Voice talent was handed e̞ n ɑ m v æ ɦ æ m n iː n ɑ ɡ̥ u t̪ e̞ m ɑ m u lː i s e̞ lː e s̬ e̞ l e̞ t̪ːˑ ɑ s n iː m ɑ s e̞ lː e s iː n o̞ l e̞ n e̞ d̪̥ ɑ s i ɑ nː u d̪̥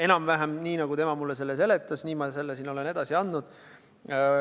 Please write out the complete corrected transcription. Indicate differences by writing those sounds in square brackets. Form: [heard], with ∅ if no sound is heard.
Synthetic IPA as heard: e̞ n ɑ m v æ ɦ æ m n iː n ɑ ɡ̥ u t̪ e̞ m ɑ m u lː [e] s e̞ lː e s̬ e̞ l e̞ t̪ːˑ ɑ s n iː m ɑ s e̞ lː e s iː n o̞ l e̞ n e̞ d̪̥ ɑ s i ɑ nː u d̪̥